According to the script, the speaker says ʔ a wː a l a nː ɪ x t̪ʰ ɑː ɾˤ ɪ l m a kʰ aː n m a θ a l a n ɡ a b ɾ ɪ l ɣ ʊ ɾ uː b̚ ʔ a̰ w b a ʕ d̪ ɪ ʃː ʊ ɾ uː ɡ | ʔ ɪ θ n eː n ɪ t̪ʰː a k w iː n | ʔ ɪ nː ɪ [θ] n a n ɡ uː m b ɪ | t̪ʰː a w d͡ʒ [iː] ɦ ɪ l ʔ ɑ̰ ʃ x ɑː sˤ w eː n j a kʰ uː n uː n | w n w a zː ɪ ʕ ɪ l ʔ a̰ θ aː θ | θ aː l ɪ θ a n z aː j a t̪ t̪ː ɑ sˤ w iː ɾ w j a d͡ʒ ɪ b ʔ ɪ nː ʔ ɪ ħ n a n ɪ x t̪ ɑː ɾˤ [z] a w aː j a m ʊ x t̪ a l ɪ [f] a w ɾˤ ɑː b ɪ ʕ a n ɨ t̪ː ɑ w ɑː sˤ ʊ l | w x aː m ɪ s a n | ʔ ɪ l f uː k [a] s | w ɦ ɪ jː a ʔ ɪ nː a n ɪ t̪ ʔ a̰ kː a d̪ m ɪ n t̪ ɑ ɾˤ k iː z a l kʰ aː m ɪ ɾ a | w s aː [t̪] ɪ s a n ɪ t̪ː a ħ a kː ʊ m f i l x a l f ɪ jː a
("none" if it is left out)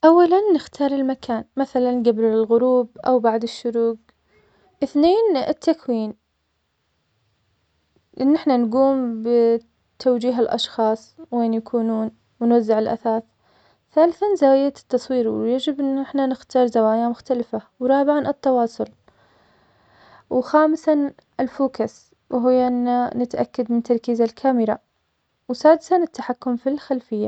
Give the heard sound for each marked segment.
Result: ħ, iː, z, f, a, d̪

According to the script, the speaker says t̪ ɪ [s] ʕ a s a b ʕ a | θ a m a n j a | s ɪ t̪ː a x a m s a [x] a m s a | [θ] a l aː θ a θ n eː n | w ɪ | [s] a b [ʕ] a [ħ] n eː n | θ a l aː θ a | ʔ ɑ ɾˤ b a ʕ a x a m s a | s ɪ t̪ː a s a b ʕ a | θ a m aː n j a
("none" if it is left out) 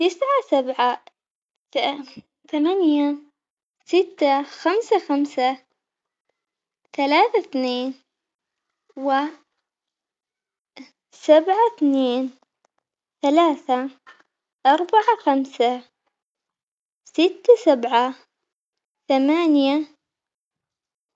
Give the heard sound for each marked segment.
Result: s, x, θ, s, ʕ, θ

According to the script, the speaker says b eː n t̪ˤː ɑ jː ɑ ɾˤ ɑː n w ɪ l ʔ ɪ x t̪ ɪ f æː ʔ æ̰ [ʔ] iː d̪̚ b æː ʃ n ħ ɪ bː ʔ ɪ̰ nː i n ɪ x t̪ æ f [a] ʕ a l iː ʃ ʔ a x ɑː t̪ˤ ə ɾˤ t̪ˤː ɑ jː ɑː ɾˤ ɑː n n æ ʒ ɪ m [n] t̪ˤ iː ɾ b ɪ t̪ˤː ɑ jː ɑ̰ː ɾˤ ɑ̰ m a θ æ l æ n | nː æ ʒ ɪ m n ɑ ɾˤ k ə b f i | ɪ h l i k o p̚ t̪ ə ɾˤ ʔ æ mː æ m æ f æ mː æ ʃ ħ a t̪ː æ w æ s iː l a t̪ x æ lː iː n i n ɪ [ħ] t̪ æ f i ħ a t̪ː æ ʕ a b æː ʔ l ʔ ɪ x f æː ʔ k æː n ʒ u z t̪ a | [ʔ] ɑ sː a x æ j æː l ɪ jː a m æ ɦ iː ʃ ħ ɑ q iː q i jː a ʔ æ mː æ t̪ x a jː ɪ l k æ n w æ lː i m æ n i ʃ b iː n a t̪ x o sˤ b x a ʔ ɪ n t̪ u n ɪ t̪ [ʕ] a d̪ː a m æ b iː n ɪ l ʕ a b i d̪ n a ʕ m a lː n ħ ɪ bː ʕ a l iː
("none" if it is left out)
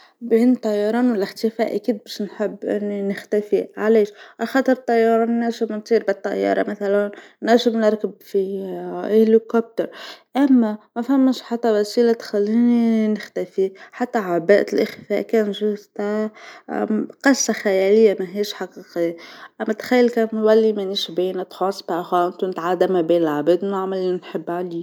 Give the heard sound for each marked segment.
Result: k, i, n, x, q, ʕ

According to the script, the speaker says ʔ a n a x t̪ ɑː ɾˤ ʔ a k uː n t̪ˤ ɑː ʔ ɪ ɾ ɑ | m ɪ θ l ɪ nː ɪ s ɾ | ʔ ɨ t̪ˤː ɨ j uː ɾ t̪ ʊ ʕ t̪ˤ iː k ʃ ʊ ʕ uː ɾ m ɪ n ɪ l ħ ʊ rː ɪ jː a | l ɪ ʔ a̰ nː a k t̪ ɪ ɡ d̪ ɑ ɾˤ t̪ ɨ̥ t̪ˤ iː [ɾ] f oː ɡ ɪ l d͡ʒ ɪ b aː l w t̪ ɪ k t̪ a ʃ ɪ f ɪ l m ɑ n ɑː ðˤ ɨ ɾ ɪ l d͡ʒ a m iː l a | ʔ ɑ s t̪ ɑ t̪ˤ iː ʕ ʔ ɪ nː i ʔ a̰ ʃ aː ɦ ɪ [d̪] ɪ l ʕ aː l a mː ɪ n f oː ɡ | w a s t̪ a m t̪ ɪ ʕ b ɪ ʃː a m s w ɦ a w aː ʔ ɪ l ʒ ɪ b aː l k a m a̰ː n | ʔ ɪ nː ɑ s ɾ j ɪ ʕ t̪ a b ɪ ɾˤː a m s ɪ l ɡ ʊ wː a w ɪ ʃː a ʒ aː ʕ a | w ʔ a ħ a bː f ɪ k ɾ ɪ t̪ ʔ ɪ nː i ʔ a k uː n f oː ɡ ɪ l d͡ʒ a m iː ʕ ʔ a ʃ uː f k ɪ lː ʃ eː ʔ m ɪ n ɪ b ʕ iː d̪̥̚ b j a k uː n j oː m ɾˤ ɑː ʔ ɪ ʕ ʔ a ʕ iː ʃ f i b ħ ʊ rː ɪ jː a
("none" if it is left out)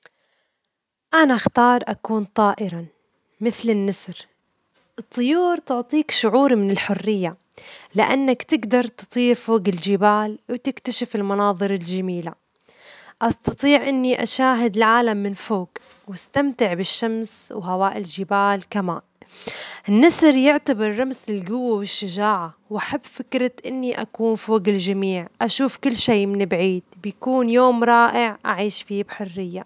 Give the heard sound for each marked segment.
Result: ɾ, d̪

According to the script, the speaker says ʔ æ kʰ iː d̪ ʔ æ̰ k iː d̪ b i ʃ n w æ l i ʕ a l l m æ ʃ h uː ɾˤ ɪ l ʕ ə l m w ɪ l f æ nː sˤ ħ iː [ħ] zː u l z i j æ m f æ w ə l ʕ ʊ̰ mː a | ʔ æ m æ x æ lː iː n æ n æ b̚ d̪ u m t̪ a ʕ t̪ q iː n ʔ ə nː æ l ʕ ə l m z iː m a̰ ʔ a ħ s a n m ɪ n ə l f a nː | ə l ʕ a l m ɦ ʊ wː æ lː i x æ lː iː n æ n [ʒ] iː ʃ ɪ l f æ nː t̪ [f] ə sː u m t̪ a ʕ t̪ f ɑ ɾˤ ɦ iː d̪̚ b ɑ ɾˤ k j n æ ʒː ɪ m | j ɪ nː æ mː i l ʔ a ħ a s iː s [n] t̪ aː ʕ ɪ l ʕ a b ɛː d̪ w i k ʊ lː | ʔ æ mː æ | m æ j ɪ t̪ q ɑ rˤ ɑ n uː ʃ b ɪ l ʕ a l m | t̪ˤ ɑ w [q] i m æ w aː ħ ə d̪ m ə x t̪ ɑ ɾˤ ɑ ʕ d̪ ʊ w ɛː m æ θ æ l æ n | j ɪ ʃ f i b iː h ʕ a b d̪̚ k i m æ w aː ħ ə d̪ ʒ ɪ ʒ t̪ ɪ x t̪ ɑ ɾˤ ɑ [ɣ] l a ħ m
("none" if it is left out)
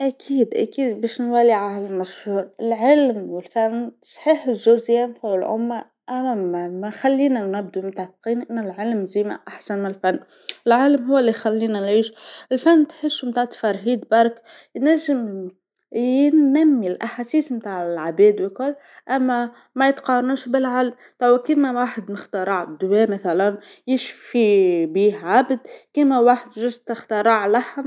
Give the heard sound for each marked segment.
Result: ħ, ʕ, ħ, m, k, ʕ

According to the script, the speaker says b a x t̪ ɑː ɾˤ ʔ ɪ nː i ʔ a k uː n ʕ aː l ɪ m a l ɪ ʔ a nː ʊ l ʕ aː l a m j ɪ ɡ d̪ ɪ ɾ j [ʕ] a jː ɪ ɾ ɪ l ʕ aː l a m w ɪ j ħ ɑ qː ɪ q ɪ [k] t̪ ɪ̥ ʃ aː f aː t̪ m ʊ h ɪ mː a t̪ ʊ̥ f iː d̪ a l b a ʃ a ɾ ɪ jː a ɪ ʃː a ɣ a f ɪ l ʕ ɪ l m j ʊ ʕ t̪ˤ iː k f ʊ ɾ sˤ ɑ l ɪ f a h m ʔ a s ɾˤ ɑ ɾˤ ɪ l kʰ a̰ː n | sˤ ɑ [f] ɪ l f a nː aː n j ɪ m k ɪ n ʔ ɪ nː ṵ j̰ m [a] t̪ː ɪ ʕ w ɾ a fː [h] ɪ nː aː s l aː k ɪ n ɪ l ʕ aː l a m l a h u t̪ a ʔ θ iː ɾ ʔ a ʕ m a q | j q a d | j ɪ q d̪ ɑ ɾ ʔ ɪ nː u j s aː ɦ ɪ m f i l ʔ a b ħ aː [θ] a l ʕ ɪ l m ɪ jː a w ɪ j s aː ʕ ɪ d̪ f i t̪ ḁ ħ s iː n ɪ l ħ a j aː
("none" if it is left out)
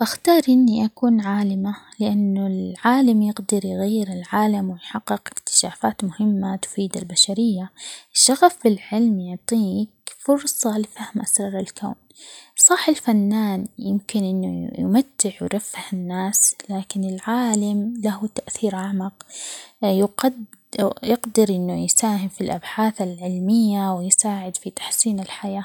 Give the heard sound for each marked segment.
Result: ɣ, k, ħ, a, h, θ

